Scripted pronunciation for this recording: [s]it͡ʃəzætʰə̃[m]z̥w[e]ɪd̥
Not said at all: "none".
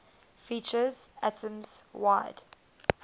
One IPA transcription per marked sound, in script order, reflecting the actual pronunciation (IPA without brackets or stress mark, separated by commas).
f, m, a